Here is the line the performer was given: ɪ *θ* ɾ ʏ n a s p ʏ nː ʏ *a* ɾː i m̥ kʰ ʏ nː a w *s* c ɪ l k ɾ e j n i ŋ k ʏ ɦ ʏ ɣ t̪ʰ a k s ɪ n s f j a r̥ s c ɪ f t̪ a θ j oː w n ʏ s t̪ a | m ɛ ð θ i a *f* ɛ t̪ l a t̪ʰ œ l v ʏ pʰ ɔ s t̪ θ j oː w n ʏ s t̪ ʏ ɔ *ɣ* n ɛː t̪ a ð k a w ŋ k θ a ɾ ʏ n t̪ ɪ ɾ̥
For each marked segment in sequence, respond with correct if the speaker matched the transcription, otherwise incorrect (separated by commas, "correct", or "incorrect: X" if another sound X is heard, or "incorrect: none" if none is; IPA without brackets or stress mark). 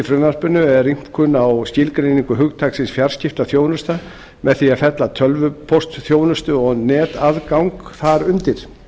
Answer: incorrect: f, incorrect: ɛ, correct, correct, correct